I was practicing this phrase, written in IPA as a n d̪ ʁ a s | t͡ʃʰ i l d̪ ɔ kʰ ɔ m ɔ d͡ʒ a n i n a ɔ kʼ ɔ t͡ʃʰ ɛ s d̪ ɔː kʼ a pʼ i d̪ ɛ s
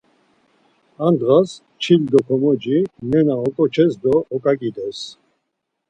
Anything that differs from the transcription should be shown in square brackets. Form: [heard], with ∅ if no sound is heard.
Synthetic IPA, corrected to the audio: a n d̪ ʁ a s | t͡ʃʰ i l d̪ ɔ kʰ ɔ m ɔ d͡ʒ [i] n [ɛ] n a ɔ kʼ ɔ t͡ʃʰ ɛ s d̪ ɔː kʼ a [kʼ] i d̪ ɛ s